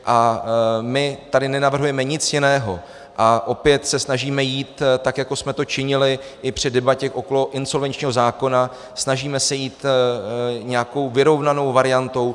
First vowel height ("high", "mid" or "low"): low